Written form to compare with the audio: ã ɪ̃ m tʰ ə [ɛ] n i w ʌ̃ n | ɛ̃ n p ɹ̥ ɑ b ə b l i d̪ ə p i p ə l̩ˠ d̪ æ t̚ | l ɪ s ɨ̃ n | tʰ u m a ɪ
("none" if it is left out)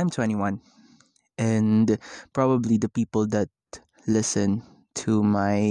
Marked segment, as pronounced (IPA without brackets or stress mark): ɛ